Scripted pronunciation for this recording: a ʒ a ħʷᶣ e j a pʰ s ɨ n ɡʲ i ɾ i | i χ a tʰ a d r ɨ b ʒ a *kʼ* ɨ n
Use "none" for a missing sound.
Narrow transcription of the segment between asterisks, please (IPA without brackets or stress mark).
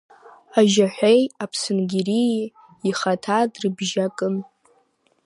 kʼ